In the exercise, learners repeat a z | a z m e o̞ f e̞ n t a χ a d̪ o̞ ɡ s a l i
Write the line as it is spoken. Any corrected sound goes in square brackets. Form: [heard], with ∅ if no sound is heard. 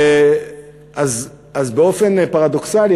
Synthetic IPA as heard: a z | a z [b] e o̞ f e̞ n [p] a [ʁ] a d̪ o̞ [k] s a l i